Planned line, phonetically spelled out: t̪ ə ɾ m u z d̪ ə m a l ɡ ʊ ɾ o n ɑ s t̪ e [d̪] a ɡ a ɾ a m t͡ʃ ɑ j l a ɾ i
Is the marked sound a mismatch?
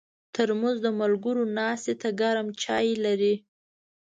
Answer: yes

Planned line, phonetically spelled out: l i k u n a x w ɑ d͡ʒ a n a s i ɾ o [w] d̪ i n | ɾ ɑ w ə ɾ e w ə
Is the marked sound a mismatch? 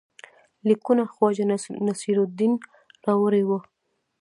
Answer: yes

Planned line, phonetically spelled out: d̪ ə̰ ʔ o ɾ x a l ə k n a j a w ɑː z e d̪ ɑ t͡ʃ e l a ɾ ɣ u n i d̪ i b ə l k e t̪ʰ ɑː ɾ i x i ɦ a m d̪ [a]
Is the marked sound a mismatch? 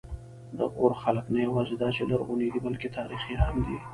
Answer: yes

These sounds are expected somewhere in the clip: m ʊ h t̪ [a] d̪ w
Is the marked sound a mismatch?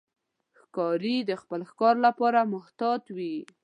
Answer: yes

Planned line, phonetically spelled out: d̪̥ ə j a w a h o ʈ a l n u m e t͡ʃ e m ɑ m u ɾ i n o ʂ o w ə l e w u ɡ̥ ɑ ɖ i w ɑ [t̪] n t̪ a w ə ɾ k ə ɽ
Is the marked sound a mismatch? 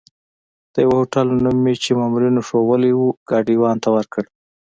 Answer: yes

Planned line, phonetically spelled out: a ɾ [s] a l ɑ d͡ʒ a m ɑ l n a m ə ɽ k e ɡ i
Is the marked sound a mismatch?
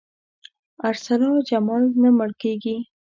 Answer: no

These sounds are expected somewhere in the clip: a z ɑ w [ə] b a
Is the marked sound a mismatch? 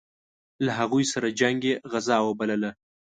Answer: no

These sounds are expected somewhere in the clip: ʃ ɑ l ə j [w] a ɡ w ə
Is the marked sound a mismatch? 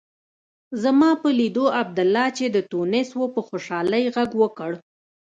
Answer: yes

